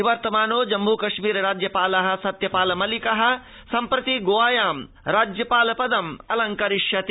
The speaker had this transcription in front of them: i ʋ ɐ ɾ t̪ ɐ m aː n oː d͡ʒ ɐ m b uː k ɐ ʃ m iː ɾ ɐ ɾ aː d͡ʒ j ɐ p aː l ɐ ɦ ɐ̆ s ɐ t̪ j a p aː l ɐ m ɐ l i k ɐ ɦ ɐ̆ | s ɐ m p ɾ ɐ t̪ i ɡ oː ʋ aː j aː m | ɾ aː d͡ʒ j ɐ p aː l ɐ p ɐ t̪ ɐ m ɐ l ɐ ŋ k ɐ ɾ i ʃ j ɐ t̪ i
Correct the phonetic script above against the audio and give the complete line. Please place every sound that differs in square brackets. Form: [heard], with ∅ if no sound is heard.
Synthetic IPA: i ʋ ɐ ɾ t̪ ɐ m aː n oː d͡ʒ ɐ m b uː k ɐ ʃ m iː ɾ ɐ ɾ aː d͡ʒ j ɐ p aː l ɐ ɦ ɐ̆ s ɐ t̪ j [ɐ] p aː l ɐ m ɐ l i k ɐ ɦ ɐ̆ | s ɐ m p ɾ ɐ t̪ i ɡ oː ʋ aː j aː m | ɾ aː d͡ʒ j ɐ p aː l ɐ p ɐ [d̪] ɐ m ɐ l ɐ ŋ k ɐ ɾ i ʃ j ɐ t̪ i